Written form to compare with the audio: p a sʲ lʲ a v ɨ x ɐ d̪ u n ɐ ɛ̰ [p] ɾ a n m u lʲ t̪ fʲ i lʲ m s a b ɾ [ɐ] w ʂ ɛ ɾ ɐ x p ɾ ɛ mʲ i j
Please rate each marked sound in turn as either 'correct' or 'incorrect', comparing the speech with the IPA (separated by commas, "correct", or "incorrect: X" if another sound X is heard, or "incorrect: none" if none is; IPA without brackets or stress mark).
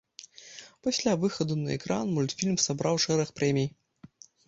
incorrect: k, incorrect: a